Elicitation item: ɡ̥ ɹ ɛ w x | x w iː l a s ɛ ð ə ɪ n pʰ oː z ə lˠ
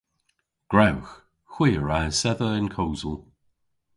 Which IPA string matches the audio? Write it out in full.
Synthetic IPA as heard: ɡ̥ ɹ a w x | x w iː ɹ a s ɛ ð ə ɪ n kʰ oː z ə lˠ